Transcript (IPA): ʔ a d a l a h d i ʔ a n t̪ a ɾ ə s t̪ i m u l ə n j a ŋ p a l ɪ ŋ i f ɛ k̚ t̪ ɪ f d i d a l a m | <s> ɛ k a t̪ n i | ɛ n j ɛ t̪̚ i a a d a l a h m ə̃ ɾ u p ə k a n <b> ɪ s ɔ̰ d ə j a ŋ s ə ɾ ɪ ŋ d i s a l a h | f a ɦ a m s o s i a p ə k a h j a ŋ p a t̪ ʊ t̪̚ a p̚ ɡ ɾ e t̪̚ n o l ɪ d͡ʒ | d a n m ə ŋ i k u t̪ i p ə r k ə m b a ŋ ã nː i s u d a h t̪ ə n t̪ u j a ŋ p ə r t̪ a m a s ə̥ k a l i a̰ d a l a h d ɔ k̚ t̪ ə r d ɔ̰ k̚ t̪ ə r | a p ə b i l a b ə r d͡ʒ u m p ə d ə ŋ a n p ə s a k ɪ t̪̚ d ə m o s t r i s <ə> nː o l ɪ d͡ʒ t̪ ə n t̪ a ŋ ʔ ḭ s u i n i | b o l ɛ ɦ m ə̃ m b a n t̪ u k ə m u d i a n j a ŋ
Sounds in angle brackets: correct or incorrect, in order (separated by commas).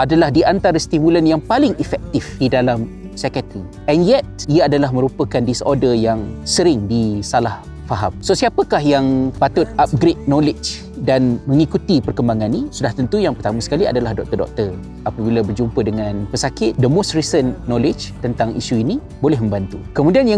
correct, incorrect, correct